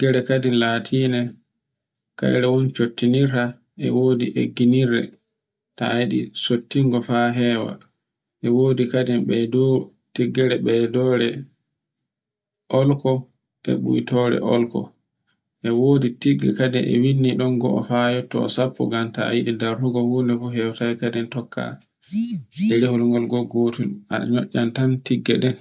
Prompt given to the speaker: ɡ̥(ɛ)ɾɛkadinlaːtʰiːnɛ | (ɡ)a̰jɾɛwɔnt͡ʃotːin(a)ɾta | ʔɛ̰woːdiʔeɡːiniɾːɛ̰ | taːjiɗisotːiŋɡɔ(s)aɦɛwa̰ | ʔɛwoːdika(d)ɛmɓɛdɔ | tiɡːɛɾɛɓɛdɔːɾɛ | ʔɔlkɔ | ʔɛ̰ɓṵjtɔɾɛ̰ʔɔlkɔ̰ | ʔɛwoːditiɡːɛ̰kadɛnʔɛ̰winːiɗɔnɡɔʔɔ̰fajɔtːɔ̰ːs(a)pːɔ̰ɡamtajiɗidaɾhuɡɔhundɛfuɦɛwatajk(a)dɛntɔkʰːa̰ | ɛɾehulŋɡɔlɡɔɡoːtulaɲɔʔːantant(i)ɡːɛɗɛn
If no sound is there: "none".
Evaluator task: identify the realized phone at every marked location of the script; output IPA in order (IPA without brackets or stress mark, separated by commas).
ɛ, k, i, f, d, a, a, i